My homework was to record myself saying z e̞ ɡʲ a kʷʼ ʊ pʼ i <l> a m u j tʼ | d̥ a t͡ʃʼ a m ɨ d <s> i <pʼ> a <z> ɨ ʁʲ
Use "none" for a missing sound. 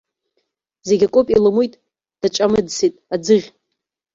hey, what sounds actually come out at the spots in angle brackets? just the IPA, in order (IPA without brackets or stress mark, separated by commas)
l, s, tʼ, d͡z